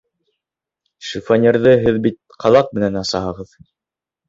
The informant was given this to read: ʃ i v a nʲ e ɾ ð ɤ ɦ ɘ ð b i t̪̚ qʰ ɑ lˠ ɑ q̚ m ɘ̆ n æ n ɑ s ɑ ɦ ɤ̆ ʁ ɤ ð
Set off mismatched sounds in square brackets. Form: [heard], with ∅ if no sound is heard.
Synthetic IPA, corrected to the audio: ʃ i [f] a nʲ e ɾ ð ɤ ɦ ɘ ð b i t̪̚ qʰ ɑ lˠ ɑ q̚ m ɘ̆ n æ n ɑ s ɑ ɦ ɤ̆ ʁ ɤ ð